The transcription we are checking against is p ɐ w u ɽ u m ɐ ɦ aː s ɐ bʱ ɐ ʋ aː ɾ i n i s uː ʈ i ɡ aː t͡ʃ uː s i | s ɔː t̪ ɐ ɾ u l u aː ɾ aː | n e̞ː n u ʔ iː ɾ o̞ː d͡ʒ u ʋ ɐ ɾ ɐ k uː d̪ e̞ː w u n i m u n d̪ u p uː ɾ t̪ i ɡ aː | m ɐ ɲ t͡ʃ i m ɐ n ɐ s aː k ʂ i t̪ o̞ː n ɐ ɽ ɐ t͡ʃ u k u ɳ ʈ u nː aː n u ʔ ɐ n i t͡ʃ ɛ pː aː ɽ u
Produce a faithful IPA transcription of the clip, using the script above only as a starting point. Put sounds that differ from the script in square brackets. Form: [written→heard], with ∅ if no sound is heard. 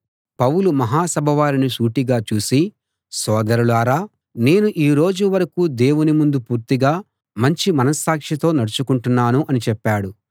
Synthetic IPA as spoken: p ɐ w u [ɽ→l] u m ɐ ɦ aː s ɐ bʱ ɐ ʋ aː ɾ i n i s uː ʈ i ɡ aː t͡ʃ uː s i | s ɔː [t̪→d̪] ɐ ɾ u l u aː ɾ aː | n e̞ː n u ʔ iː ɾ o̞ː d͡ʒ u ʋ ɐ ɾ ɐ k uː d̪ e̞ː w u n i m u n d̪ u p uː ɾ t̪ i ɡ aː | m ɐ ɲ t͡ʃ i m ɐ n ɐ s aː k ʂ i t̪ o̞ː n ɐ ɽ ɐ t͡ʃ u k u ɳ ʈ u nː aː n u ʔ ɐ n i t͡ʃ ɛ pː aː ɽ u

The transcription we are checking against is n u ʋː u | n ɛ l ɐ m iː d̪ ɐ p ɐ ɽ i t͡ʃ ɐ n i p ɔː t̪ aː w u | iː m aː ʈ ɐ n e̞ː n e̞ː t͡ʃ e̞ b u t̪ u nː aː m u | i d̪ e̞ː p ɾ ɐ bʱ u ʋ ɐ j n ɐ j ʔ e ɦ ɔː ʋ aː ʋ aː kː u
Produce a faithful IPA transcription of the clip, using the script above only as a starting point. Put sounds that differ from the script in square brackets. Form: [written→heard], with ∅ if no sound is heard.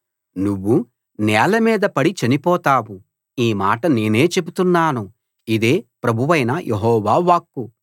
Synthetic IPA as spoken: n u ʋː u | n [ɛ→ɛː] l ɐ m iː d̪ ɐ p ɐ ɽ i t͡ʃ ɐ n i p ɔː t̪ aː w u | iː m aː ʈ ɐ n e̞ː n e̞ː t͡ʃ e̞ b u t̪ u nː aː [m→n] u | i d̪ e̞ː p ɾ ɐ bʱ u ʋ ɐ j n ɐ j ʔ e ɦ ɔː ʋ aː ʋ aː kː u

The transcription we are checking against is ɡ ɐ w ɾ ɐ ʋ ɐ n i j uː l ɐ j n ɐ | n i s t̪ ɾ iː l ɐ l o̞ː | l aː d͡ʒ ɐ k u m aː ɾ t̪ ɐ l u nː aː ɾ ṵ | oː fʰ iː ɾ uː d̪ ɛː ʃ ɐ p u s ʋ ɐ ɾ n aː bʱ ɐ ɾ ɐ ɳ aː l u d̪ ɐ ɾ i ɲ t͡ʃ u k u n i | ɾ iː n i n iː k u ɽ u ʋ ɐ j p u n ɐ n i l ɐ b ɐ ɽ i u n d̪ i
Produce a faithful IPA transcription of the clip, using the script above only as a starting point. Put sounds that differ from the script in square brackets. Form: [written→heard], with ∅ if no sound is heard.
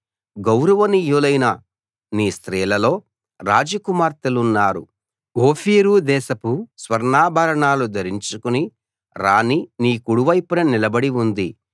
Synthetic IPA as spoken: ɡ ɐ w ɾ ɐ ʋ ɐ n i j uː l ɐ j n ɐ | n [i→iː] s t̪ ɾ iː l ɐ l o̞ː | [l→ɾ] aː d͡ʒ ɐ k u m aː ɾ t̪ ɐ l u nː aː ɾ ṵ | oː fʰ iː ɾ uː d̪ ɛː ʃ ɐ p u s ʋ ɐ ɾ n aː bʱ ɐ ɾ ɐ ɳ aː l u d̪ ɐ ɾ i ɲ t͡ʃ u k u n i | ɾ [iː→aː] n i n iː k u ɽ u ʋ ɐ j p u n ɐ n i l ɐ b ɐ ɽ i u n d̪ i

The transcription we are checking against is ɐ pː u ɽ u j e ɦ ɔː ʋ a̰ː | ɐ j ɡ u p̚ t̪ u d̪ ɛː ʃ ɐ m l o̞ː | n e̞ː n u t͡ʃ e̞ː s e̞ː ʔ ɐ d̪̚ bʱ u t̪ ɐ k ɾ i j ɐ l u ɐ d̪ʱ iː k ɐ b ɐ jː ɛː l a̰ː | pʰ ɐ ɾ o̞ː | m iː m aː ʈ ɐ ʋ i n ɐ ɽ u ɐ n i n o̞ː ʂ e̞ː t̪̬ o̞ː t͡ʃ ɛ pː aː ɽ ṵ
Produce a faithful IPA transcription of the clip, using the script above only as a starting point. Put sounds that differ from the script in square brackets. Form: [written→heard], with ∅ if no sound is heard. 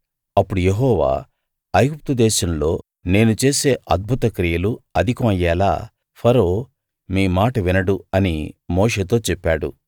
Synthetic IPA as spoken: ɐ pː u ɽ u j e ɦ ɔː ʋ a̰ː | ɐ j ɡ u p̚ t̪ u d̪ ɛː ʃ ɐ m l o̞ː | n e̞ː n u t͡ʃ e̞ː s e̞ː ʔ ɐ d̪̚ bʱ u t̪ ɐ k ɾ i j ɐ l u ɐ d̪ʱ [iː→i] k ɐ [b→m] ɐ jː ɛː l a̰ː | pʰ ɐ ɾ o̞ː | m iː m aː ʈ ɐ ʋ i n ɐ ɽ u ɐ n i [n→m] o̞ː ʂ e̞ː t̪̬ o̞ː t͡ʃ ɛ pː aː ɽ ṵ

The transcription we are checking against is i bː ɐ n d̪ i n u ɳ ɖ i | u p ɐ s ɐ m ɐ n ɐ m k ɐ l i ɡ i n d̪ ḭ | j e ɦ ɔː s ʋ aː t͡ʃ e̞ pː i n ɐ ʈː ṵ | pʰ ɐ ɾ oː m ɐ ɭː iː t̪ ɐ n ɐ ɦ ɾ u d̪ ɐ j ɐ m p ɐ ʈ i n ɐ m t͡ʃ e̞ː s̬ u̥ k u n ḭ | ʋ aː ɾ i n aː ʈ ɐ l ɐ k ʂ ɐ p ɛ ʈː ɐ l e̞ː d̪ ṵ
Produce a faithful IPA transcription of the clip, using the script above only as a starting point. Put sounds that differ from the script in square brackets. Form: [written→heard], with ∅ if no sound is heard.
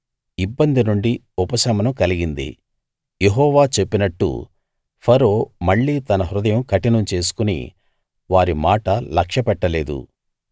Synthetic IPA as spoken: i bː ɐ n d̪ i n u ɳ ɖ i | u p ɐ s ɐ m ɐ n ɐ m k ɐ l i ɡ i n d̪ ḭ | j e ɦ ɔː [s→∅] ʋ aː t͡ʃ e̞ pː i n ɐ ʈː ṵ | pʰ ɐ ɾ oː m ɐ ɭː iː t̪ ɐ n ɐ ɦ ɾ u d̪ ɐ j ɐ m [p→k] ɐ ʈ i n ɐ m t͡ʃ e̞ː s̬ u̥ k u n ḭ | ʋ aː ɾ i [n→m] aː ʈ ɐ l ɐ k ʂ ɐ p ɛ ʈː ɐ l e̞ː d̪ ṵ

